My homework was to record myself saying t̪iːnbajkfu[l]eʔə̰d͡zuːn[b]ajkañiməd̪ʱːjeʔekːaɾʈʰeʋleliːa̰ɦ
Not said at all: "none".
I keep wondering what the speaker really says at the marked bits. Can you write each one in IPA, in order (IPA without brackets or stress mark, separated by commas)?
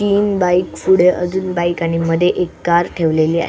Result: ɽ, b